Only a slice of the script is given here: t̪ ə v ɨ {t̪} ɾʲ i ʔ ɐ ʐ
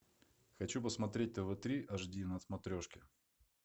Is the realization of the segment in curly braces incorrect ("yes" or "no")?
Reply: no